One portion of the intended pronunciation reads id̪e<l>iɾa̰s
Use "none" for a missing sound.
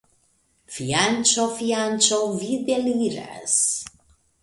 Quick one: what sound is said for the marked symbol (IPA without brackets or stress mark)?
l